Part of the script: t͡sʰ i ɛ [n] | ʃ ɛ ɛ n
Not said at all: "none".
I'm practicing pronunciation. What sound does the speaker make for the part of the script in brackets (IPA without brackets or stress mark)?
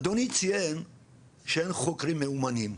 n